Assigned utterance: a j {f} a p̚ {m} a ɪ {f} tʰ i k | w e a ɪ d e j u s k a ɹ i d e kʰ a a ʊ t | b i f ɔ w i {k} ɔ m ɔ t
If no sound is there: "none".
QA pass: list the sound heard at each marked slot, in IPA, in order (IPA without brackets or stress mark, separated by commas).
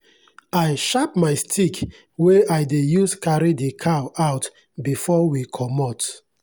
ʃ, m, s, kʰ